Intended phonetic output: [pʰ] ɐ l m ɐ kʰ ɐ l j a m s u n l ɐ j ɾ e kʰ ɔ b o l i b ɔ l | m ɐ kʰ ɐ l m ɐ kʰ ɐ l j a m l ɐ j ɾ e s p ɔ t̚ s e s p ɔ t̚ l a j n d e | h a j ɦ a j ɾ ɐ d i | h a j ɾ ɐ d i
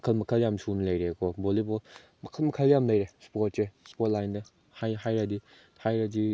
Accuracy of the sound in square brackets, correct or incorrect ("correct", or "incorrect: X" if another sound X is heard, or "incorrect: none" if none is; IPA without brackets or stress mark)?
incorrect: kʰ